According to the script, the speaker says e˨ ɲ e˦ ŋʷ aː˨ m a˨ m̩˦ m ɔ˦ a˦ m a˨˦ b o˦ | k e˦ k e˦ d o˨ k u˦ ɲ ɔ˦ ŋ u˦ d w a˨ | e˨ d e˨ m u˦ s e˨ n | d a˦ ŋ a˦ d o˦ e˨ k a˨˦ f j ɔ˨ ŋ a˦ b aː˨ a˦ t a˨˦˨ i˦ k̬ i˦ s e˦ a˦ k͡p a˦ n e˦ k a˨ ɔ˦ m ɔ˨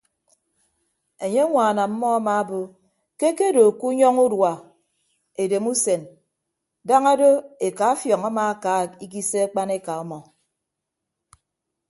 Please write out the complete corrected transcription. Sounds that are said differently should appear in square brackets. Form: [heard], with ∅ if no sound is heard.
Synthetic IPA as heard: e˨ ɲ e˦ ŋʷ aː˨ [n] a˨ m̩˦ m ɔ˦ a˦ m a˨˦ b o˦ | k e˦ k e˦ d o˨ k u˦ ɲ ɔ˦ ŋ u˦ d w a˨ | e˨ d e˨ m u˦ s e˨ n | d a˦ ŋ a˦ d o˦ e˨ k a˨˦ f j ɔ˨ ŋ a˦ [m] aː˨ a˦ [k] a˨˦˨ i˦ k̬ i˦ s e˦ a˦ k͡p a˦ n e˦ k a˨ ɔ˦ m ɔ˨